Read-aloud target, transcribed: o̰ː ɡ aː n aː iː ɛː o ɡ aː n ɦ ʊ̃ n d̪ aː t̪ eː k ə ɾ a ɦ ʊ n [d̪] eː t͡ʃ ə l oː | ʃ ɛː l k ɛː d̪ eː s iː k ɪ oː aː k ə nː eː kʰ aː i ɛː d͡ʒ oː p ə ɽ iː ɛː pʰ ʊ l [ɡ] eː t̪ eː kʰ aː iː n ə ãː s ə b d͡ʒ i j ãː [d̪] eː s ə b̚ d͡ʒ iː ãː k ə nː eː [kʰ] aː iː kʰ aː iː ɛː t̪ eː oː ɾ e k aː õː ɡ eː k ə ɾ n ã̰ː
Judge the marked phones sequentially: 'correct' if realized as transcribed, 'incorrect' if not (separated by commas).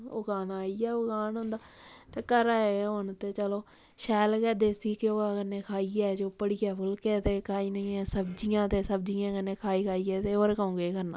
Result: incorrect, incorrect, incorrect, correct